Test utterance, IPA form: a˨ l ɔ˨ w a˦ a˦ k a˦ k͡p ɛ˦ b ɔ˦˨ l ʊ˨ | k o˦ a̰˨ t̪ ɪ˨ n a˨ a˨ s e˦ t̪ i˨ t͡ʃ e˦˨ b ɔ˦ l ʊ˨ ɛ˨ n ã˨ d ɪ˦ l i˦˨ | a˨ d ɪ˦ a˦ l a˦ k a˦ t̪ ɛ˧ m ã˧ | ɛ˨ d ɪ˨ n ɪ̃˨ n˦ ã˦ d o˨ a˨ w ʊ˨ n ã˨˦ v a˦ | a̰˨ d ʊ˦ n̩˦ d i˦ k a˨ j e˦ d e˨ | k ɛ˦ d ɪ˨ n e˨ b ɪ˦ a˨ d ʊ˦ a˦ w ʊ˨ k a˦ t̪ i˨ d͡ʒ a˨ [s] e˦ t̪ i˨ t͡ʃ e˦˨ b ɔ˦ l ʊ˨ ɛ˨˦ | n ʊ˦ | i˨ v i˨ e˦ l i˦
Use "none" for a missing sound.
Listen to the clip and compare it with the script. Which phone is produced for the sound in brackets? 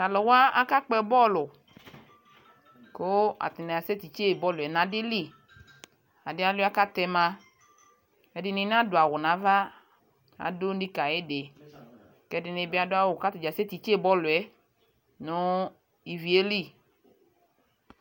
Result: s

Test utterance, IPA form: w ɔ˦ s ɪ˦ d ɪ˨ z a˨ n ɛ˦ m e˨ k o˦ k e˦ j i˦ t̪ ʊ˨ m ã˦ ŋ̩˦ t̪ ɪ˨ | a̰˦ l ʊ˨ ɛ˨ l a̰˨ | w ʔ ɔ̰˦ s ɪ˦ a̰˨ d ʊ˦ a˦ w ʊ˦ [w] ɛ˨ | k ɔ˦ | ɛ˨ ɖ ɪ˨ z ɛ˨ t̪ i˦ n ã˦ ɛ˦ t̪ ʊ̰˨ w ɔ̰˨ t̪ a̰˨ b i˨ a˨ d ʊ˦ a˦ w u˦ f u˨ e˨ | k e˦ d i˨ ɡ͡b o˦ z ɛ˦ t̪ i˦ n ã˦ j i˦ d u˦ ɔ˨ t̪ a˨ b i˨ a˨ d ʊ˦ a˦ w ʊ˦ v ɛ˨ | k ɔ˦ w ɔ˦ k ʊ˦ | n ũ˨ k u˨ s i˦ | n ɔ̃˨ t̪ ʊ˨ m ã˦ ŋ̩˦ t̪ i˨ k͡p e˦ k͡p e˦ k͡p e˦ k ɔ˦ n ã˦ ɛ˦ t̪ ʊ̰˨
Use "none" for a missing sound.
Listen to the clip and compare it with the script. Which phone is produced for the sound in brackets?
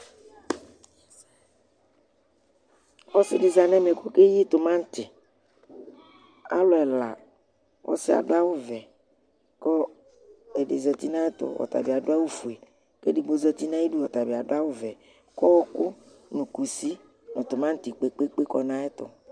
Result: v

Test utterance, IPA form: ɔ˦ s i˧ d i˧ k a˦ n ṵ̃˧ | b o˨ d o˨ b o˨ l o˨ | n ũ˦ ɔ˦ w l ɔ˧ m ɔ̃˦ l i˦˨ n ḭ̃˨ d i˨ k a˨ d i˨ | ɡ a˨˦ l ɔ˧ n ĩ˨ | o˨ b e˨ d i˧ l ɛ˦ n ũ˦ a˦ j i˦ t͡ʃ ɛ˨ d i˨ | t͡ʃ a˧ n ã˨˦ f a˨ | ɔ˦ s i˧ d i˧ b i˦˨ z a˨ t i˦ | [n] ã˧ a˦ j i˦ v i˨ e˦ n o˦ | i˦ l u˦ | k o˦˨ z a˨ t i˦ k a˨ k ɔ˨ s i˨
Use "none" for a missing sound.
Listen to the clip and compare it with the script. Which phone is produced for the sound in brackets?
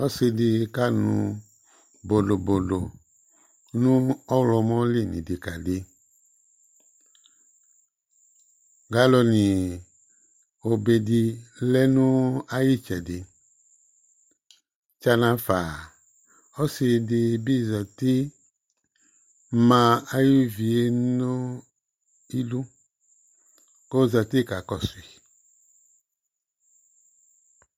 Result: m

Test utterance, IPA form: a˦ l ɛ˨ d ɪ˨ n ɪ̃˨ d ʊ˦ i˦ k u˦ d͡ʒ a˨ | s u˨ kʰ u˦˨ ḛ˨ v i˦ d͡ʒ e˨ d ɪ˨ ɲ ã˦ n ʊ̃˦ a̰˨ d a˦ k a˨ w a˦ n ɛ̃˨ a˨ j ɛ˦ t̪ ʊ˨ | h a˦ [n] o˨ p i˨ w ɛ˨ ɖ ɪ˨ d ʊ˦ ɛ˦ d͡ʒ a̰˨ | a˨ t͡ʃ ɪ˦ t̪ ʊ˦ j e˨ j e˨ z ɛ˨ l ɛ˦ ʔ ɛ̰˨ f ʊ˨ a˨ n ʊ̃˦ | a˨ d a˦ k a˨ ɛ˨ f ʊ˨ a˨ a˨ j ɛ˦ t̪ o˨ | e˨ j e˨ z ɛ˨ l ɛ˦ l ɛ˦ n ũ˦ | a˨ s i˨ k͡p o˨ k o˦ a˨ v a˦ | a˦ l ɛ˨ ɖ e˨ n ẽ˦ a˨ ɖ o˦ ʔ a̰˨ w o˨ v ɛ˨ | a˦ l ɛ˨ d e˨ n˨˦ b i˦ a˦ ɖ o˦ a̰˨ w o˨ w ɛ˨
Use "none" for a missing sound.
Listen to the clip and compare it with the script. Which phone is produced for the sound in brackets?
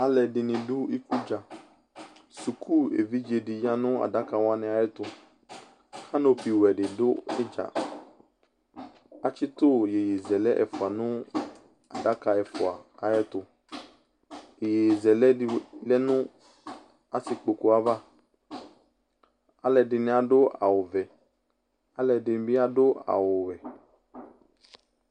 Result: n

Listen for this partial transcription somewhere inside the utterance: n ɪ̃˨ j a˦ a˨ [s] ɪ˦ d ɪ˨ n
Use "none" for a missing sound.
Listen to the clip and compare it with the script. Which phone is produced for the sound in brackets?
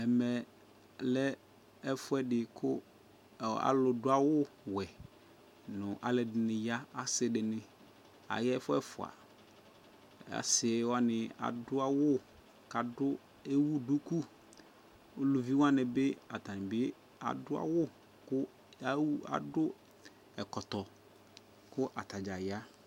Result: s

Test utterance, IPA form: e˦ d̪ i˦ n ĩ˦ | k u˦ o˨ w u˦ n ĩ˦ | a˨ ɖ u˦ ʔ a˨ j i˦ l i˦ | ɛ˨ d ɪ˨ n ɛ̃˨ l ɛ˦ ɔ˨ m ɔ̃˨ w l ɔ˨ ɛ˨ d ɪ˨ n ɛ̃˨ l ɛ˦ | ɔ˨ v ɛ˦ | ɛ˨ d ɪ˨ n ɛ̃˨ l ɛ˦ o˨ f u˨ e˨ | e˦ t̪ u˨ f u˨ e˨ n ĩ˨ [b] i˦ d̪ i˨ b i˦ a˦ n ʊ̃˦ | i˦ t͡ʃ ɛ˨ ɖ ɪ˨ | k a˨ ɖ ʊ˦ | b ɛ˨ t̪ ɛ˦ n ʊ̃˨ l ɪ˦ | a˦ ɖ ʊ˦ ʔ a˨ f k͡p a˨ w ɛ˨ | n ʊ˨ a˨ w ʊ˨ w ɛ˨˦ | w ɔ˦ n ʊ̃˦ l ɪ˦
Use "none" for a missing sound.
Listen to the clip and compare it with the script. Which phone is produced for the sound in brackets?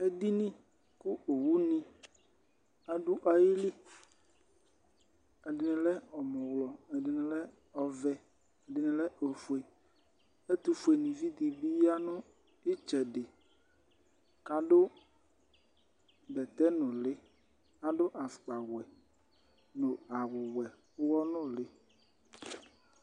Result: v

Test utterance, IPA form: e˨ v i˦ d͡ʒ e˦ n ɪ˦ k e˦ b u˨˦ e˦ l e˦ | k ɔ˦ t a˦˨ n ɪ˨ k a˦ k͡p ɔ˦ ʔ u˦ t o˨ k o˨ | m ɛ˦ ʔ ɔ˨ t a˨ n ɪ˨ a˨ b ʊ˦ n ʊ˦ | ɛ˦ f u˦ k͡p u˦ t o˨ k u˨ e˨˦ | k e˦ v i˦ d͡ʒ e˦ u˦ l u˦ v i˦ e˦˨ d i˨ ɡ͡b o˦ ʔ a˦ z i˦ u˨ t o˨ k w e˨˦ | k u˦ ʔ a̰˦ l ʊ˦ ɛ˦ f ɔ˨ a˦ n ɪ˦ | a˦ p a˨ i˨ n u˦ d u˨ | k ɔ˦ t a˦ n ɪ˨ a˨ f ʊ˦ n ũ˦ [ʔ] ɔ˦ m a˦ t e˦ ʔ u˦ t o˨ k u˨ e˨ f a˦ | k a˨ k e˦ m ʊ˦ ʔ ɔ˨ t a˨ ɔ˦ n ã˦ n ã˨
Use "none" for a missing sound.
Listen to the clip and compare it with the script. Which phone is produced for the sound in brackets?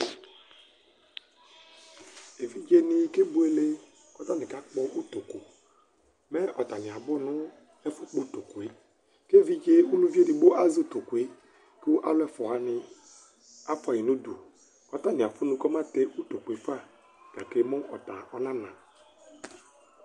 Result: k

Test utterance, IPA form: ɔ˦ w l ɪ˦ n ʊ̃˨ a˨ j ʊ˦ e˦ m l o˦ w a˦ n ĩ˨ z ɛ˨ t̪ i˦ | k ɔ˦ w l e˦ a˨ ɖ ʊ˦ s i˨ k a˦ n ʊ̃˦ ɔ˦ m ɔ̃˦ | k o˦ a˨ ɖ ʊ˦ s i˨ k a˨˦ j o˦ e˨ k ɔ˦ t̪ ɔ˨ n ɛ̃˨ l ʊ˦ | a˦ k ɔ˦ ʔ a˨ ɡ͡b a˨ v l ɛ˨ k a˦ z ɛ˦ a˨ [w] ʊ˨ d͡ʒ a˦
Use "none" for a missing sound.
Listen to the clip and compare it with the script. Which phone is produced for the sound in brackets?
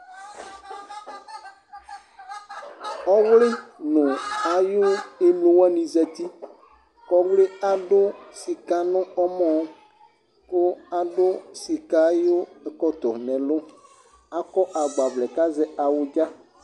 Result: w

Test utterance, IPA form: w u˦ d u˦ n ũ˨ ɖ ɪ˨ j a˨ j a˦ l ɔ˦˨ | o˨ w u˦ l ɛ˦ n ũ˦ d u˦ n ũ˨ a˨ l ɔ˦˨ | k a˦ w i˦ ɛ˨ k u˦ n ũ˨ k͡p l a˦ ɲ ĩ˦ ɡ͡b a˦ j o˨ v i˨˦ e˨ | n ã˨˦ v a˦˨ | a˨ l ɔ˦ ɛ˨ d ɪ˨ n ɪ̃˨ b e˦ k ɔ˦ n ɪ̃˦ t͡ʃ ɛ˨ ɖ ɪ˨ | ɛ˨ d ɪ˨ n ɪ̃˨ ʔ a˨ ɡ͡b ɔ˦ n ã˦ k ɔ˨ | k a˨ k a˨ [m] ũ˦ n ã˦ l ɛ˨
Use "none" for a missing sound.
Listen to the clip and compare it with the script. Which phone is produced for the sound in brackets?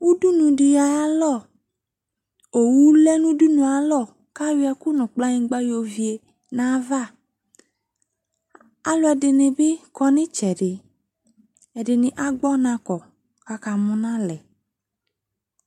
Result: m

